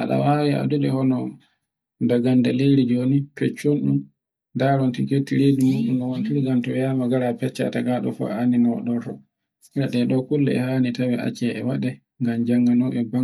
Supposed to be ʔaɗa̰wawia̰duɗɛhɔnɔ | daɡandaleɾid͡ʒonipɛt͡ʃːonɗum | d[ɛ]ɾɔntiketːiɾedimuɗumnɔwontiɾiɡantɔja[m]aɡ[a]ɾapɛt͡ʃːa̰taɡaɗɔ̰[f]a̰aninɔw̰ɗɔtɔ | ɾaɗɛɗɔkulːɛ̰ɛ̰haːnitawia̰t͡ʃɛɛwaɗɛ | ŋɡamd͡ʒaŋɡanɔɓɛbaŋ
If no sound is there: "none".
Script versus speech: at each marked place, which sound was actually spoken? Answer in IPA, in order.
a, m, a, f

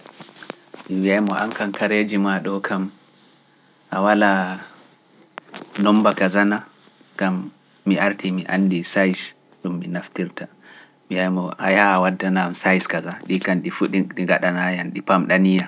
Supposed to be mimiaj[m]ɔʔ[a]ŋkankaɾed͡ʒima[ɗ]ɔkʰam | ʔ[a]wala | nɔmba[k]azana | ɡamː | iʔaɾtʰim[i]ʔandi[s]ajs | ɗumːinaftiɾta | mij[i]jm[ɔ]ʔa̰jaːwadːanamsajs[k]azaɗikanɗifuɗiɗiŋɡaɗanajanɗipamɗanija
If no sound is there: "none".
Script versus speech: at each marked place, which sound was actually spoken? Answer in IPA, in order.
m, a, ɗ, a, k, i, s, a, ɔ, k

